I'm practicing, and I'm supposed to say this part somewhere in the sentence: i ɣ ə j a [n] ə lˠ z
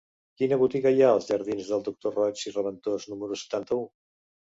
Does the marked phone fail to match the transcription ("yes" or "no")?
yes